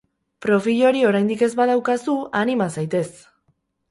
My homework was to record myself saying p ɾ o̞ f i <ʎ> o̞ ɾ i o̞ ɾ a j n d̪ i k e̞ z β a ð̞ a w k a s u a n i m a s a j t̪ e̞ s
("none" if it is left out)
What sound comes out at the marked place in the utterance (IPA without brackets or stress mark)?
ʎ